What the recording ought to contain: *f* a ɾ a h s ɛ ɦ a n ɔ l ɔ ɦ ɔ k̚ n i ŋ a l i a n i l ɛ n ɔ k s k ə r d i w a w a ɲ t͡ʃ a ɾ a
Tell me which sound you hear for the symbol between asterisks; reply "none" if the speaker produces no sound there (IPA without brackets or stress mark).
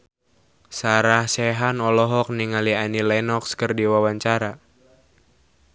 s